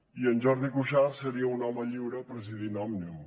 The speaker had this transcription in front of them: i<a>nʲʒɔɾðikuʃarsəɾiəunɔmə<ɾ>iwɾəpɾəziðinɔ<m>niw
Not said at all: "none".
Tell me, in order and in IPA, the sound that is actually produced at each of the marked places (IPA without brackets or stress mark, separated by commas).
ə, ʎ, m